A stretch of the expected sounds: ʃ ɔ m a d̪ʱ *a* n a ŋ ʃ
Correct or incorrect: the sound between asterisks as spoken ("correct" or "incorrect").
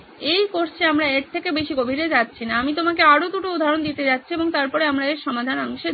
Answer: correct